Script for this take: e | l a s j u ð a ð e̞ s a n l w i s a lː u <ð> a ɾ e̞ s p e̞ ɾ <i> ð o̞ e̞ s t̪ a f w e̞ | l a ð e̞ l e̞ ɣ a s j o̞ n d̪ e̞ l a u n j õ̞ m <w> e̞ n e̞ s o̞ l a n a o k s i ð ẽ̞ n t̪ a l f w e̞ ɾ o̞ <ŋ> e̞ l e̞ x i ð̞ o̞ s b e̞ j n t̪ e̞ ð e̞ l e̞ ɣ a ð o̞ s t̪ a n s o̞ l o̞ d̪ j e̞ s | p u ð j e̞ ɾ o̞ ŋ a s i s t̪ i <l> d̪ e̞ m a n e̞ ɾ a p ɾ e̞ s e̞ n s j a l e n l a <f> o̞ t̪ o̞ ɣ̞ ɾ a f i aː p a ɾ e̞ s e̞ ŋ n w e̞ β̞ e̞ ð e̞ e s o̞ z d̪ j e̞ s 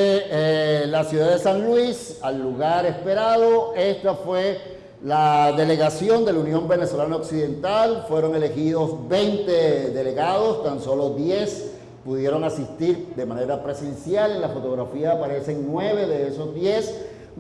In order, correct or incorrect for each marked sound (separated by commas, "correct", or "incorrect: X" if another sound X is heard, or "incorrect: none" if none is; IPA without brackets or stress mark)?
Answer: incorrect: ɣ, incorrect: a, incorrect: b, correct, incorrect: ɾ, correct